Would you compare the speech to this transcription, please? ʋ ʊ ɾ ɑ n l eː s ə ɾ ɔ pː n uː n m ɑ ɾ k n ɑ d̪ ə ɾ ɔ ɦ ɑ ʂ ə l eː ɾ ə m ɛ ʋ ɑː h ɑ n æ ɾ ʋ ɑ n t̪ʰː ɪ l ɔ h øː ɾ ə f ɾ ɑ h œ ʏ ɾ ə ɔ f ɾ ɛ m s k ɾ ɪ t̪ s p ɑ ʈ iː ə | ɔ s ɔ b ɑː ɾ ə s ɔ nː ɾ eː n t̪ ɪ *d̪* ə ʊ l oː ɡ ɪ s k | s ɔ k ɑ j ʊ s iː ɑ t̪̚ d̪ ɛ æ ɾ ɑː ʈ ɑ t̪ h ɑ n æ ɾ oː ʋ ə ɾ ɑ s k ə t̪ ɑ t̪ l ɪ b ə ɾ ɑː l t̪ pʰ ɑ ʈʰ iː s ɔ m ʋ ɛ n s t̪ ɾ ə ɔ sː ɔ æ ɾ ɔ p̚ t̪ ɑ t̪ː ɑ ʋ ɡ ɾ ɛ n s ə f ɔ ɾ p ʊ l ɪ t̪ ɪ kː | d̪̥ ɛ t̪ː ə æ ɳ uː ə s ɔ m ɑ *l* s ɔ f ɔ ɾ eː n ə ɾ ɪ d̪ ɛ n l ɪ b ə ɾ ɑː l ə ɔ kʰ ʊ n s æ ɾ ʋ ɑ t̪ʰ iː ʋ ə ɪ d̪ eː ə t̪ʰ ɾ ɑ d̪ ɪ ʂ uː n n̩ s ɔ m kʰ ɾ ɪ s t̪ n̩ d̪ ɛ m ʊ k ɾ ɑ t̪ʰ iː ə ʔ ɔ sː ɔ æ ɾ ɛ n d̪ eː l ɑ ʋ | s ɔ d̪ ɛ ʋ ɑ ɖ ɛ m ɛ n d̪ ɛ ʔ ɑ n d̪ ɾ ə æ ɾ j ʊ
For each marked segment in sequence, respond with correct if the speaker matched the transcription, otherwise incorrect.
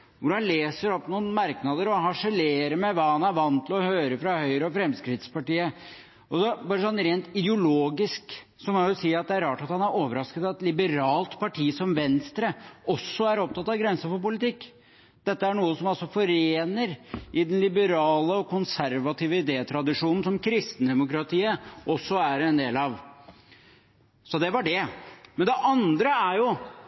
correct, correct

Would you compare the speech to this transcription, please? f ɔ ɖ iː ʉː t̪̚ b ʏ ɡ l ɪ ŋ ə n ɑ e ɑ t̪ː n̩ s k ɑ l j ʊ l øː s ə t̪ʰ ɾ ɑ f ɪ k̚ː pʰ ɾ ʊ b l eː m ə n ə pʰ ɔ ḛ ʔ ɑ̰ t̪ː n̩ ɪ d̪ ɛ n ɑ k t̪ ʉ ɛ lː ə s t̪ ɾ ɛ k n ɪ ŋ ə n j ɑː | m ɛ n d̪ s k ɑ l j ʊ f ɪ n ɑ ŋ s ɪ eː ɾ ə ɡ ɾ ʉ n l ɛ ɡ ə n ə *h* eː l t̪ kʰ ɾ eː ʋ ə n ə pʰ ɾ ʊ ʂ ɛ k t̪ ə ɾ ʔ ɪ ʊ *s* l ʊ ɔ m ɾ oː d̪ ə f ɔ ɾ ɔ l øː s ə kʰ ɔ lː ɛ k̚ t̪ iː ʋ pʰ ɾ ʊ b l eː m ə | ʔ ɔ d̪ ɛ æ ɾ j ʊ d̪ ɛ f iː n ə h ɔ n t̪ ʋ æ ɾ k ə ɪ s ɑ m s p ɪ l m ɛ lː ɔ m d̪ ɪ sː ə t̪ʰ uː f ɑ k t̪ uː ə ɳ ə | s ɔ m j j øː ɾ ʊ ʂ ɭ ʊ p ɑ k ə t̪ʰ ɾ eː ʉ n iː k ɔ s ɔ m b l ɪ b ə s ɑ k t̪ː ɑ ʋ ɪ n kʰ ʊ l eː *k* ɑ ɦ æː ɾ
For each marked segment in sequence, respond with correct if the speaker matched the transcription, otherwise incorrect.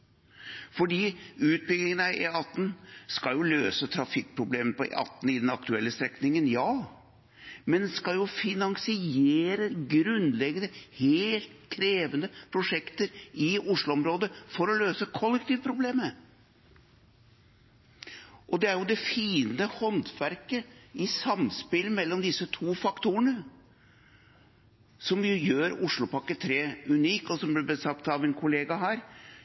correct, incorrect, incorrect

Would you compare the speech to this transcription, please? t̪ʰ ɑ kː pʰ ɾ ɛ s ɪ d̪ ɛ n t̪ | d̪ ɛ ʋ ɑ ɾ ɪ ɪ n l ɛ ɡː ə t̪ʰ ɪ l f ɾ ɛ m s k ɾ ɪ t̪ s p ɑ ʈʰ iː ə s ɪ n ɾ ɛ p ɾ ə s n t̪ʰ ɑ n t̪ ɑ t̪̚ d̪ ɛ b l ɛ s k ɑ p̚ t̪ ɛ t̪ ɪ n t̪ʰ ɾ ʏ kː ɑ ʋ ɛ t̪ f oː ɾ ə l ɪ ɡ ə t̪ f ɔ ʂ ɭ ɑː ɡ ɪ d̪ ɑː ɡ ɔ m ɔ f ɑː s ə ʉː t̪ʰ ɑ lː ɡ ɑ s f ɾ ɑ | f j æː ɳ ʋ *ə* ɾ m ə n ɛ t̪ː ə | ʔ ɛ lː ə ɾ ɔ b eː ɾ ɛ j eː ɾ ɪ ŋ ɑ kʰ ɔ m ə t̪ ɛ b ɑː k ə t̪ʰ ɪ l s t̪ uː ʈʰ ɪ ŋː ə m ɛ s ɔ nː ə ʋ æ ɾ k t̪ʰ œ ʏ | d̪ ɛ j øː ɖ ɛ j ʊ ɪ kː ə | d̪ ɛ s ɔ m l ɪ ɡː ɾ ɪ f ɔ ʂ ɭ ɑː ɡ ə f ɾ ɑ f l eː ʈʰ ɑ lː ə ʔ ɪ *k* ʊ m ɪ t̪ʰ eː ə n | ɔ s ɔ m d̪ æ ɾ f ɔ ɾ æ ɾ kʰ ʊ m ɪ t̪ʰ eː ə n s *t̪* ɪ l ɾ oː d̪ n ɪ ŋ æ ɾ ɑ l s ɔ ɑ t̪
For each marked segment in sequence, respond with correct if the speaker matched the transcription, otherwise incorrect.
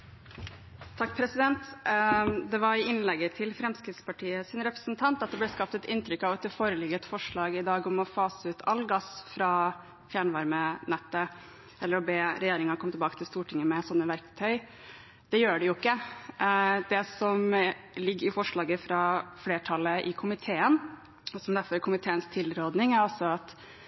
incorrect, incorrect, incorrect

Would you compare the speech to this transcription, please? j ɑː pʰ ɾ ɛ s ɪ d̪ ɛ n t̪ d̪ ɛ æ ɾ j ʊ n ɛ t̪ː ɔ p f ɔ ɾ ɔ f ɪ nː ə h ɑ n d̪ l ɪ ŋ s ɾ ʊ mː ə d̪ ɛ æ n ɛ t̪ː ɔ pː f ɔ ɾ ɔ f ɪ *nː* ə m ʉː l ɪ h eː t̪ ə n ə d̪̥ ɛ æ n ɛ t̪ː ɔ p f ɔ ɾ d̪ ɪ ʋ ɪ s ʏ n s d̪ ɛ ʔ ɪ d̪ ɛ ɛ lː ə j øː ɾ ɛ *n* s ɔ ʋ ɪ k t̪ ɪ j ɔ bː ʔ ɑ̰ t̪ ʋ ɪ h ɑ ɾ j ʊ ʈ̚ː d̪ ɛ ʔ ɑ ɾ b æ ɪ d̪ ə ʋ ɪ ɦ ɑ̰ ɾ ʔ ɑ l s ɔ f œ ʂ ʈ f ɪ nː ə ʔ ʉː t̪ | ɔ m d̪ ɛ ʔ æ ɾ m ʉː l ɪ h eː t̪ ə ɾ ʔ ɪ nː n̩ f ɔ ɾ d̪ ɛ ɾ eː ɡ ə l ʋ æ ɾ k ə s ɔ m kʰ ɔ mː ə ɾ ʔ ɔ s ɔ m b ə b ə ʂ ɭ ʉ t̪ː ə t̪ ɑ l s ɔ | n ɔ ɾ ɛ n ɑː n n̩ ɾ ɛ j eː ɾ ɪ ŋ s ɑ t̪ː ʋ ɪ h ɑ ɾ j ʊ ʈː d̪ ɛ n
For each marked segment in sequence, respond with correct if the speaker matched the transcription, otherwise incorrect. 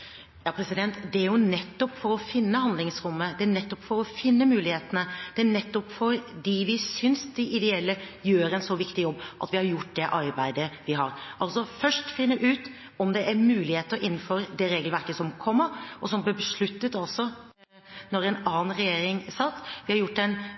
correct, correct

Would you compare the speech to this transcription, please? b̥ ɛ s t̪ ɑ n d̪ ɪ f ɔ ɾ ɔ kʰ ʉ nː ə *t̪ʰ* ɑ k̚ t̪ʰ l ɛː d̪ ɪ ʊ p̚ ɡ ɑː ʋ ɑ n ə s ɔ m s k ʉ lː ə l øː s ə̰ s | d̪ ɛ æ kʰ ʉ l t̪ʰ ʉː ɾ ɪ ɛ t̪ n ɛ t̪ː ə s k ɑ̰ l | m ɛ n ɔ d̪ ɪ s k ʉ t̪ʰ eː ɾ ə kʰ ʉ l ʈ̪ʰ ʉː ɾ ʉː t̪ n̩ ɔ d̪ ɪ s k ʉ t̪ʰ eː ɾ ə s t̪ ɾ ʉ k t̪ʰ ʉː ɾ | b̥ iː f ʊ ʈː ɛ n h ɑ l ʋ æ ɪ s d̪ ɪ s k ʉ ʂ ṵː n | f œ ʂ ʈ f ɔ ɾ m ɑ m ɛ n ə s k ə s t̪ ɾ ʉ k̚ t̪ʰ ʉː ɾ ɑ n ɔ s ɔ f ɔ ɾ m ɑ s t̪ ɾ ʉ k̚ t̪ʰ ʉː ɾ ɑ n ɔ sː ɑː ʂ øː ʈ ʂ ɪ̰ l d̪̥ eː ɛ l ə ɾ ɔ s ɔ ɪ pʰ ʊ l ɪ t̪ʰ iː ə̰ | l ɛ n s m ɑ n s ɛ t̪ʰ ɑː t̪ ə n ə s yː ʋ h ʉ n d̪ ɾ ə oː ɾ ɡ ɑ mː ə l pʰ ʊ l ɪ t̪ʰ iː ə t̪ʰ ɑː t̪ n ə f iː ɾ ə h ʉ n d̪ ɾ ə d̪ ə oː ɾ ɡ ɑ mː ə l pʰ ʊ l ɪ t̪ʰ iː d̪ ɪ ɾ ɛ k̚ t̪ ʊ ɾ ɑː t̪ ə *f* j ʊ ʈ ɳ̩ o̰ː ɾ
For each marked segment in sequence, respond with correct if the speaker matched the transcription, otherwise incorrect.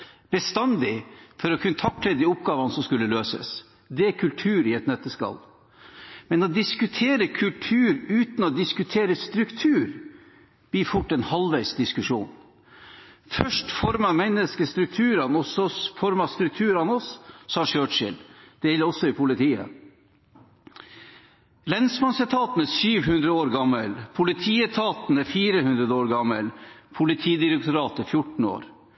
correct, correct

